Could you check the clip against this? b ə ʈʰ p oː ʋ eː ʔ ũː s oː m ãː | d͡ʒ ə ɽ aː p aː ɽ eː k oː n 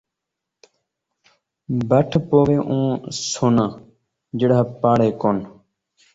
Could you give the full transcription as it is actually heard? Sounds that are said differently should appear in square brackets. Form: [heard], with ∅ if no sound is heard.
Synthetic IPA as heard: b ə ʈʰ p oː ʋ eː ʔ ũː s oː [n] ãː | d͡ʒ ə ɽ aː p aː ɽ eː k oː n